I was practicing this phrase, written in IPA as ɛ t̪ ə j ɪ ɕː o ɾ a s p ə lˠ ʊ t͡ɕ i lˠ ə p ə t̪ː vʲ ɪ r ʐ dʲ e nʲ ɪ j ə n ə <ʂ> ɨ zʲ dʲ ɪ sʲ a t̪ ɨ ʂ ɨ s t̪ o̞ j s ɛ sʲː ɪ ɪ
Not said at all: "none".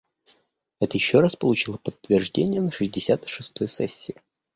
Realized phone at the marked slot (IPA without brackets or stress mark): ʂ